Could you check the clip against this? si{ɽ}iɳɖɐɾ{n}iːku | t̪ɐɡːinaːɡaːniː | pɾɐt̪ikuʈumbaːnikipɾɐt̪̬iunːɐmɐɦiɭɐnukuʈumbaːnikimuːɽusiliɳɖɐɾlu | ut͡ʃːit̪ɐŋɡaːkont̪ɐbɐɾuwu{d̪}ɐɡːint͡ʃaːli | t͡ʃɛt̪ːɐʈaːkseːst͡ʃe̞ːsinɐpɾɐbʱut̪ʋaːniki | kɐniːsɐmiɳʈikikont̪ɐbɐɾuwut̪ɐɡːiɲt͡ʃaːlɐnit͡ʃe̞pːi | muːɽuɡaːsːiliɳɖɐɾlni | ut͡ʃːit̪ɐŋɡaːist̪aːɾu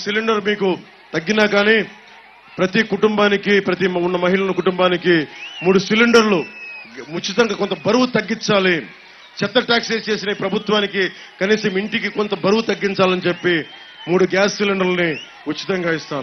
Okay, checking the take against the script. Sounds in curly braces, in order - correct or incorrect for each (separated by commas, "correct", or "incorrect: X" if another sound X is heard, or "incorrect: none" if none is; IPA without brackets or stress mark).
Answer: incorrect: l, incorrect: m, incorrect: t̪